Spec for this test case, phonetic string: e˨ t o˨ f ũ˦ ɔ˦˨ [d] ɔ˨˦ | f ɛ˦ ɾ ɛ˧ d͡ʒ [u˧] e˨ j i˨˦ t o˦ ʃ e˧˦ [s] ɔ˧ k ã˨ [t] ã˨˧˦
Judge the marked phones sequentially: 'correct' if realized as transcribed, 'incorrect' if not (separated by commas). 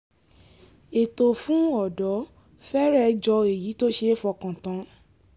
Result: correct, incorrect, incorrect, correct